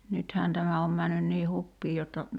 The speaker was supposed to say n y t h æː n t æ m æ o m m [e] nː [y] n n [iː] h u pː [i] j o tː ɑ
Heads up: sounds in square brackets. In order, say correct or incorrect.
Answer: incorrect, correct, correct, incorrect

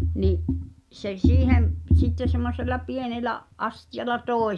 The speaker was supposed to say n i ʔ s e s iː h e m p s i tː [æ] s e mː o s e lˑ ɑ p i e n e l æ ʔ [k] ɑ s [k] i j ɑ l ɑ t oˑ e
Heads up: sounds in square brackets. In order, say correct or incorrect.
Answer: incorrect, incorrect, incorrect

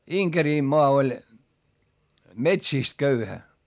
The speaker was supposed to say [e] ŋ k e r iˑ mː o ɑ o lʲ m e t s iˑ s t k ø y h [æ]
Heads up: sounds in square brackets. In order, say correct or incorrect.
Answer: incorrect, correct

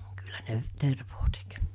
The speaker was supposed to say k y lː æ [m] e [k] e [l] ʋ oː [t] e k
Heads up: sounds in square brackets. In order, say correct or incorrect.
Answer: incorrect, incorrect, incorrect, correct

